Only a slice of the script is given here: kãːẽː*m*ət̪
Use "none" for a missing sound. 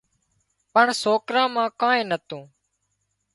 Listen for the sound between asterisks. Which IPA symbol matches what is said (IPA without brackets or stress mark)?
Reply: n